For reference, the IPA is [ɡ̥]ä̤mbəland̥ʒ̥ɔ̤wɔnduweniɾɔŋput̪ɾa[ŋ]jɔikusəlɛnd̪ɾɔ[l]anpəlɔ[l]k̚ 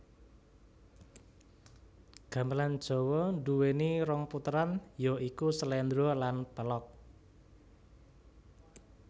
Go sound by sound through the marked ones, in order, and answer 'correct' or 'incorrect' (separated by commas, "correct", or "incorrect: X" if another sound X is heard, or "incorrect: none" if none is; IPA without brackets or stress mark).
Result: correct, incorrect: n, correct, incorrect: none